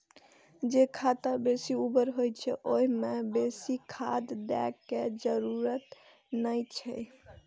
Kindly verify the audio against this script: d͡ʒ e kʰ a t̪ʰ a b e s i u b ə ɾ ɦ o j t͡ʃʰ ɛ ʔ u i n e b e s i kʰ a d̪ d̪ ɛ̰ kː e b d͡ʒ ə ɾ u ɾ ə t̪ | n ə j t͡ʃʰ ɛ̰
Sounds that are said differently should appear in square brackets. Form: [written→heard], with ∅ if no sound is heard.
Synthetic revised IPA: d͡ʒ e kʰ a [t̪ʰ→t̪] a b e s i u b ə ɾ ɦ o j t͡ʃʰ ɛ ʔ [u→o] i [n→m] e b e s i kʰ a d̪ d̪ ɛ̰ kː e [b→∅] d͡ʒ ə ɾ u ɾ ə t̪ | n ə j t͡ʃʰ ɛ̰